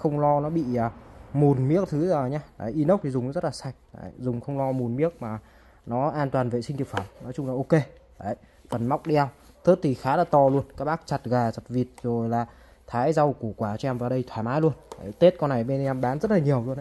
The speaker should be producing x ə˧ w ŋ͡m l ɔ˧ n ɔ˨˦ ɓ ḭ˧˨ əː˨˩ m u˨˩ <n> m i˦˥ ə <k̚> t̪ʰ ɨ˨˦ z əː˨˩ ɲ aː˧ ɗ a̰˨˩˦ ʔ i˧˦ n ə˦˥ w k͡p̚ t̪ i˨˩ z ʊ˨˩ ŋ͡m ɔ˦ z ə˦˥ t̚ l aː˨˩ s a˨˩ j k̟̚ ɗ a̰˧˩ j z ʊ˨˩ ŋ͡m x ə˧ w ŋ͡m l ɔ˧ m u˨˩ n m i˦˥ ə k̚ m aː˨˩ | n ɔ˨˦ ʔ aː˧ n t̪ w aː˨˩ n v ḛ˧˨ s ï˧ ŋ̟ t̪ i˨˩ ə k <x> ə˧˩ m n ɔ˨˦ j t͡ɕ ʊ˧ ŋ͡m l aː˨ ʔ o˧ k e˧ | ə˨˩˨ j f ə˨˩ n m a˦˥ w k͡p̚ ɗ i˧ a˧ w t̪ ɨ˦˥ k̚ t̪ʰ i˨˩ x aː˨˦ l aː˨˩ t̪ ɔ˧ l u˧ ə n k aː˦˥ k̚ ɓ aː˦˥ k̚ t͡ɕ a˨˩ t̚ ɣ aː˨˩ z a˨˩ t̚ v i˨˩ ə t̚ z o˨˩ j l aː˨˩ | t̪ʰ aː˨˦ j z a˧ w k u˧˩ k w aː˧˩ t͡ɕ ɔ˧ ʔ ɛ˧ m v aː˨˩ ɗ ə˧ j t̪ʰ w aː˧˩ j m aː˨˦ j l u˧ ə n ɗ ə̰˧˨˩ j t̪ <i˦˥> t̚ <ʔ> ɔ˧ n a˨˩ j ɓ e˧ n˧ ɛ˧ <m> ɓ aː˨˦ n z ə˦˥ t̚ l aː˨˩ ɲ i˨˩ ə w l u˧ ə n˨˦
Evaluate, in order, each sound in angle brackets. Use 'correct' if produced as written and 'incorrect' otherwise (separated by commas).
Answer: correct, correct, incorrect, incorrect, incorrect, correct